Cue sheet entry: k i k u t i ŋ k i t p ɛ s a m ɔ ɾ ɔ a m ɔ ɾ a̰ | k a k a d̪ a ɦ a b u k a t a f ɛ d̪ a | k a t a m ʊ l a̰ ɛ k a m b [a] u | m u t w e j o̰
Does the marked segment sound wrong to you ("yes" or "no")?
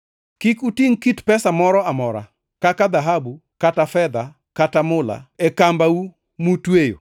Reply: no